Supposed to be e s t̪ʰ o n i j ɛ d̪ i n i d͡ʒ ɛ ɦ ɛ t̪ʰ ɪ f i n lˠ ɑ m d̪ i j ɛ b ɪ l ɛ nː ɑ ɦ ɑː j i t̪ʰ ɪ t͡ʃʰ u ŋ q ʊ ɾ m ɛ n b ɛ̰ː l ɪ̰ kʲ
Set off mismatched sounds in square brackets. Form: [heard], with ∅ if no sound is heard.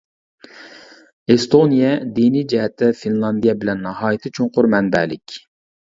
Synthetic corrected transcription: e s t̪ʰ o n i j ɛ d̪ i n i d͡ʒ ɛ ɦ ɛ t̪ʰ ɪ f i n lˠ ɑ [n] d̪ i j ɛ b ɪ l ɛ nː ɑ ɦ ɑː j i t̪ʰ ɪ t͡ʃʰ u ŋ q ʊ ɾ m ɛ n b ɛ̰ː l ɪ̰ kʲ